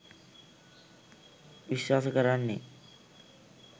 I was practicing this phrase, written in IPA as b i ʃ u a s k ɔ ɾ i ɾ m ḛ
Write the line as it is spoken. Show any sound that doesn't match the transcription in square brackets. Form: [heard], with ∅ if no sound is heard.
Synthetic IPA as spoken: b i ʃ [w] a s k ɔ ɾ [a] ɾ [n] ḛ